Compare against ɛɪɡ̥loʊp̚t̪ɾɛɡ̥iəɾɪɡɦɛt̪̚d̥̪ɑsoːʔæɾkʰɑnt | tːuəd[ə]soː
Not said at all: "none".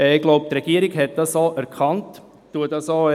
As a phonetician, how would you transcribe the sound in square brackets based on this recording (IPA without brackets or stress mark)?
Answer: ɑ